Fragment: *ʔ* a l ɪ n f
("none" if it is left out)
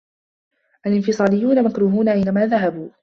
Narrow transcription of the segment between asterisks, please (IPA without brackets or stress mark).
ʔ